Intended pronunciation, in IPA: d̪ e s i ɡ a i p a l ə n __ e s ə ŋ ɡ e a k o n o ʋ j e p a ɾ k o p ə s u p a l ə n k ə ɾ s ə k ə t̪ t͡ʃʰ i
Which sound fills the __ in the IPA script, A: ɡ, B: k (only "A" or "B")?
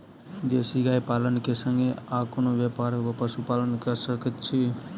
B